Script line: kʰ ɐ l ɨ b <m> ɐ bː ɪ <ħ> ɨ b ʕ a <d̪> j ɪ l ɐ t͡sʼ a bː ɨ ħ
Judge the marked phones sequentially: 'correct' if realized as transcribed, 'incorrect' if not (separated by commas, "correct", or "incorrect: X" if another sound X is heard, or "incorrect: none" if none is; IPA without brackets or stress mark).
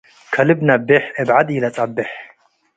incorrect: n, correct, correct